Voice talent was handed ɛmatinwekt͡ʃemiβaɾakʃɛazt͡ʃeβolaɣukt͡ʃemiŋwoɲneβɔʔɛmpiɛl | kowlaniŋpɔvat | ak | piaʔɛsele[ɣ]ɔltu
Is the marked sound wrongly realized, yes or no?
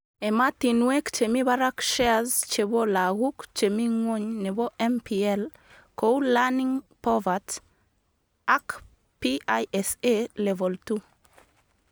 yes